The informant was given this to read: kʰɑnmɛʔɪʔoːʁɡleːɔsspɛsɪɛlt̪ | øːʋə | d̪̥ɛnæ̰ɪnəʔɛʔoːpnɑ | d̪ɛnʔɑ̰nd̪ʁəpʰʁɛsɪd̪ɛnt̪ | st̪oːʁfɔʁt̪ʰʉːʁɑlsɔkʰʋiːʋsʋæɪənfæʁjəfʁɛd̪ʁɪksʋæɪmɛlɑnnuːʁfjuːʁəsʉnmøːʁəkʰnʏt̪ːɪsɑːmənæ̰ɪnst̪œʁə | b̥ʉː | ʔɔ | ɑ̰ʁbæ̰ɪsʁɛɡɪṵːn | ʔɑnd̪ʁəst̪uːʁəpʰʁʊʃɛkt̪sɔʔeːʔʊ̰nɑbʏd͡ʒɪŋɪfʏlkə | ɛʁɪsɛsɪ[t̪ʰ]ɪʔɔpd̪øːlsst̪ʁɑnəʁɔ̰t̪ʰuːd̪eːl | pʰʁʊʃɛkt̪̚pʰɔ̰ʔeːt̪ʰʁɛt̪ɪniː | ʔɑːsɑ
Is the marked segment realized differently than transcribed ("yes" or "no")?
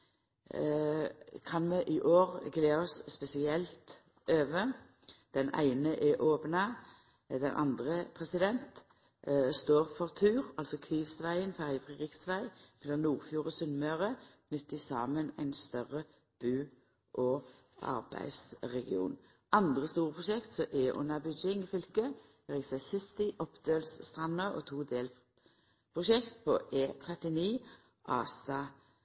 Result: yes